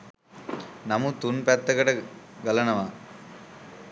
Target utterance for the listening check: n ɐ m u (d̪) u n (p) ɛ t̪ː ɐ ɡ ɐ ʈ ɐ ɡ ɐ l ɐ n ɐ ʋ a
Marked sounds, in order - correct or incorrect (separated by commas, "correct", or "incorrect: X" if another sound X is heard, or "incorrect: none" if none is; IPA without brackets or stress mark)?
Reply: incorrect: t̪, correct